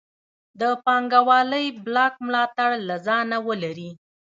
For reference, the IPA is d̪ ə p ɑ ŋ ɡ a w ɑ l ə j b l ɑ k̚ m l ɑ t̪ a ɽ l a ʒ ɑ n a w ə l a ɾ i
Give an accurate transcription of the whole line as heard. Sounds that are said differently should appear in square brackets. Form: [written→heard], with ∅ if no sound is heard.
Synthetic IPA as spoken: d̪ ə p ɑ ŋ ɡ a w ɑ l ə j b l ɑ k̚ m l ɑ t̪ a ɽ l a [ʒ→z] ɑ n a w ə l a ɾ i